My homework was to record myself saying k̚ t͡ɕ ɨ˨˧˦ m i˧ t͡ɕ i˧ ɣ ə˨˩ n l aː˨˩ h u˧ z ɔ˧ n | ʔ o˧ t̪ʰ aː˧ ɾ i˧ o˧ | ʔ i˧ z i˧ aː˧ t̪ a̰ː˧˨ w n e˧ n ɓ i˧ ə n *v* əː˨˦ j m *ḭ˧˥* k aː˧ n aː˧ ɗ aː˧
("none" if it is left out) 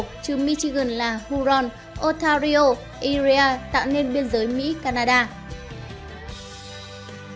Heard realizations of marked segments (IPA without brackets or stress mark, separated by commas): z, ḭ˧˥